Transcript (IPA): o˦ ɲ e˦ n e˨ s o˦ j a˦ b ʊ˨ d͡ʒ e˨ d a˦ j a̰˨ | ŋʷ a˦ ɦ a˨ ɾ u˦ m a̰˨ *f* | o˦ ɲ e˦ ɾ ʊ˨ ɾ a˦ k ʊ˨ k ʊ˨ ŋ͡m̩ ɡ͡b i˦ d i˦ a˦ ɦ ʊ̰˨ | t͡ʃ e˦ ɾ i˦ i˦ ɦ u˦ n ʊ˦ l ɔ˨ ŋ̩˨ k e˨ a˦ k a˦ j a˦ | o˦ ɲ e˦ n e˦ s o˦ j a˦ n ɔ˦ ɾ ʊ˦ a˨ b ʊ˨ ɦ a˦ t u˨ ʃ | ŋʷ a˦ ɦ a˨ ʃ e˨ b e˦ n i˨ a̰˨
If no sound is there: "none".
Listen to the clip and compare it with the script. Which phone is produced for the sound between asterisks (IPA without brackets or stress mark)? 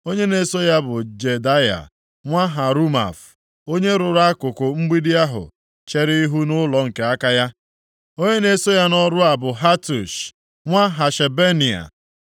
f